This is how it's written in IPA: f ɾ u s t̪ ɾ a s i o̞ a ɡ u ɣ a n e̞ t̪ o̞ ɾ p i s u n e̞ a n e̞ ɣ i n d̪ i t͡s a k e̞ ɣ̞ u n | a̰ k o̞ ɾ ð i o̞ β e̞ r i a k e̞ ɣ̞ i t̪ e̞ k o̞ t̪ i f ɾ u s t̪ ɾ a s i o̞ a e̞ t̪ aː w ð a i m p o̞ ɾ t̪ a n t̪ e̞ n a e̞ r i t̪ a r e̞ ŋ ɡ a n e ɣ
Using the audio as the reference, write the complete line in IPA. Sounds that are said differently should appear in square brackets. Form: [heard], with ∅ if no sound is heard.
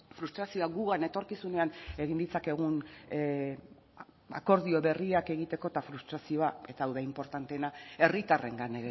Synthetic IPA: f ɾ u s t̪ ɾ a s i o̞ a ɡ u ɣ a n e̞ t̪ o̞ ɾ [k] i s u n e̞ a n e̞ ɣ i n d̪ i t͡s a k e̞ ɣ̞ u n | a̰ k o̞ ɾ ð i o̞ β e̞ r i a k e̞ ɣ̞ i t̪ e̞ k o̞ t̪ [a] f ɾ u s t̪ ɾ a s i o̞ a e̞ t̪ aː w ð a i m p o̞ ɾ t̪ a n t̪ e̞ n a e̞ r i t̪ a r e̞ ŋ ɡ a n e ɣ

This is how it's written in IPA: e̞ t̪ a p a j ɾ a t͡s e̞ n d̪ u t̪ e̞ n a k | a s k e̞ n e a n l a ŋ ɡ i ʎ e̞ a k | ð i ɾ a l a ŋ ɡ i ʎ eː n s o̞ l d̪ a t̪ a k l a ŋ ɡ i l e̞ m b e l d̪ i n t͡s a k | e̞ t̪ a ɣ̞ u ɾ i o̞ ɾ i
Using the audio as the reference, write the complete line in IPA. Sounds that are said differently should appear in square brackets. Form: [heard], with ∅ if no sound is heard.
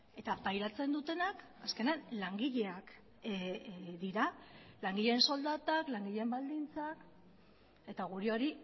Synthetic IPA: e̞ t̪ a p a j ɾ a t͡s e̞ n d̪ u t̪ e̞ n a k | a s k e̞ n e a n l a ŋ ɡ i ʎ e̞ a k | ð i ɾ a l a ŋ ɡ i ʎ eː n s o̞ l d̪ a t̪ a k l a ŋ ɡ i [ʎ] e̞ m b [a] l d̪ i n t͡s a k | e̞ t̪ a ɣ̞ u ɾ i o̞ ɾ i

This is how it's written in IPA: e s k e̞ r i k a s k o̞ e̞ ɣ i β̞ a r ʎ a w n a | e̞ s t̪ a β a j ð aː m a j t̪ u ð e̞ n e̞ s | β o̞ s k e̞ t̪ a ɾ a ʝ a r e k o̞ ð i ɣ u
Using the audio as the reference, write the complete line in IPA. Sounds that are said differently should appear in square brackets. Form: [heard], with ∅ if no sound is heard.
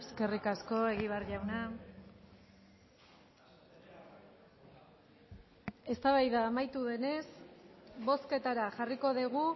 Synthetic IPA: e s k e̞ r i k a s k o̞ e̞ ɣ i β̞ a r ʎ a w n a | e̞ s t̪ a β a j ð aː m a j t̪ u ð e̞ n e̞ s | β o̞ s k e̞ t̪ a ɾ a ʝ a r [i] k o̞ ð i ɣ u

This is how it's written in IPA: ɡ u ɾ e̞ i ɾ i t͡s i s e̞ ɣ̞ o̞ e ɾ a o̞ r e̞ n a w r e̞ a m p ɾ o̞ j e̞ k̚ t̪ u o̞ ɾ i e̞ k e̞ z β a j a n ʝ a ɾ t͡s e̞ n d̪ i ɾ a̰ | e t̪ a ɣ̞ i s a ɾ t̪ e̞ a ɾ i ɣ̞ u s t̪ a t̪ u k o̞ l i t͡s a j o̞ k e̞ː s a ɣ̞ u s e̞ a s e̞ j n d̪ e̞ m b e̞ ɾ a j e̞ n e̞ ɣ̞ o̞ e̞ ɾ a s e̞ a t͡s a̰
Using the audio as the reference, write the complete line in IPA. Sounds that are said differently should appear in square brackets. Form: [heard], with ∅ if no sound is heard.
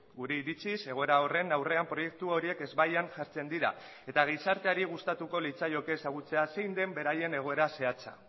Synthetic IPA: ɡ u ɾ e̞ i ɾ i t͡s i s e̞ ɣ̞ o̞ e ɾ a o̞ r e̞ n a w r e̞ a m p ɾ o̞ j e̞ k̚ t̪ u o̞ ɾ i e̞ k e̞ z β a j a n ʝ a ɾ t͡s e̞ n d̪ i ɾ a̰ | e t̪ a ɣ̞ i s a ɾ t̪ e̞ a ɾ i ɣ̞ u s t̪ a t̪ u k o̞ l i t͡s a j o̞ k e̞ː s a ɣ̞ u [t͡s] e̞ a s e̞ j n d̪ e̞ m b e̞ ɾ a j e̞ n e̞ ɣ̞ o̞ e̞ ɾ a s e̞ a t͡s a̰

